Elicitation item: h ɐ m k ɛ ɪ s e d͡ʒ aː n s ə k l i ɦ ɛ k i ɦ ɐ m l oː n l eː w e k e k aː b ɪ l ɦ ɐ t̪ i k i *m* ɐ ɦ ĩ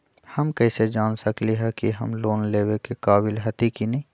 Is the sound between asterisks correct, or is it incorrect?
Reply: incorrect